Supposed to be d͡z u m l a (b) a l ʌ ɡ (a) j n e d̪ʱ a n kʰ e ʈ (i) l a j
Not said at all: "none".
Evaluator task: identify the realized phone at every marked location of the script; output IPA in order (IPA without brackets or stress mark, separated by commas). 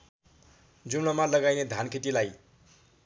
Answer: m, a, i